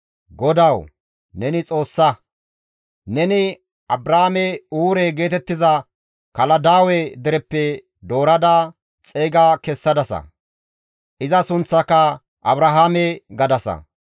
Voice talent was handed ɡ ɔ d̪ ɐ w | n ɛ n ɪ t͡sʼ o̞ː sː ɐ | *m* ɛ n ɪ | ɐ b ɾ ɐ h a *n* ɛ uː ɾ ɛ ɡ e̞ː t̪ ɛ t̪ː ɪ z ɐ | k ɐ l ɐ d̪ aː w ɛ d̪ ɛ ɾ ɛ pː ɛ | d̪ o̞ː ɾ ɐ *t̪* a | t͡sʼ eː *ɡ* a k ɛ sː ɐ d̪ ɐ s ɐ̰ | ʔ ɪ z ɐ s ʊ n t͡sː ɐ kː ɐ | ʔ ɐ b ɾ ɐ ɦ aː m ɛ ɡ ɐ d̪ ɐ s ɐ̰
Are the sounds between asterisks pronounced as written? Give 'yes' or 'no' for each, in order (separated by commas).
no, no, no, yes